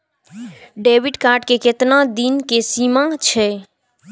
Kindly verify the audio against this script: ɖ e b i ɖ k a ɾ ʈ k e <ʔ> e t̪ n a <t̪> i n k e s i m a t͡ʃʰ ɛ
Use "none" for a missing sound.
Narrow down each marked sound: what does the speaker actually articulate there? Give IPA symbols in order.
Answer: k, d̪

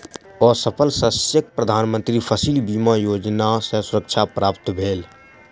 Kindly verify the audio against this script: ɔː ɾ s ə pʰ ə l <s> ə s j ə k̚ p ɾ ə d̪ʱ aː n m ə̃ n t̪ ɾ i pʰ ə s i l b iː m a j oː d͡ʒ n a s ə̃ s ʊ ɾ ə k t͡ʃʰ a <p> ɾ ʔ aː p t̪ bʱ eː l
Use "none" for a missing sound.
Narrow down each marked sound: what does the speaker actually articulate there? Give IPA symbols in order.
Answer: s, p

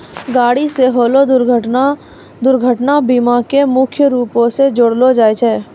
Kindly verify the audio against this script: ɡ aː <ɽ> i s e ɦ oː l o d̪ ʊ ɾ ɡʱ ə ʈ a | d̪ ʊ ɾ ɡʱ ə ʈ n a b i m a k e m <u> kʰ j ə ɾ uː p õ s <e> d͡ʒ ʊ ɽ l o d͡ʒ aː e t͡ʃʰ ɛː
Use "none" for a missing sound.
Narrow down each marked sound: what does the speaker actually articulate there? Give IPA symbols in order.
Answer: ɽ, ʊ, e

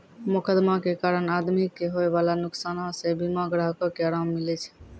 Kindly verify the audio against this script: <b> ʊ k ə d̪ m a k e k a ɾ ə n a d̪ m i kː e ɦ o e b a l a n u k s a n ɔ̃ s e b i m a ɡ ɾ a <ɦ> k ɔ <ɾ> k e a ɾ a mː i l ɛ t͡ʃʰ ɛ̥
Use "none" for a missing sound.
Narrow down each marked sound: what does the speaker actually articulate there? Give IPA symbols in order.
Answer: m, ɦ, none

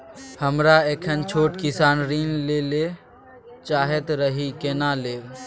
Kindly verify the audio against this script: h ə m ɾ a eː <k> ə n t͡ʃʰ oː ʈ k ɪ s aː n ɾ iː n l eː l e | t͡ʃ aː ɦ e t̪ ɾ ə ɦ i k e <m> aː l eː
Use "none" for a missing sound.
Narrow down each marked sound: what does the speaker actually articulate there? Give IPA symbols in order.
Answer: kʰ, n

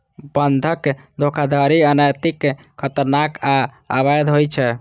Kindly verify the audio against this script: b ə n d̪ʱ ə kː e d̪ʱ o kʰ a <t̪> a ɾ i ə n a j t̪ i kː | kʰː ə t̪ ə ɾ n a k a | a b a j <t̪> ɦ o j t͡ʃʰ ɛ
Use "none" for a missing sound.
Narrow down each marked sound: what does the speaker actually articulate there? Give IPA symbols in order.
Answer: d̪, d̪

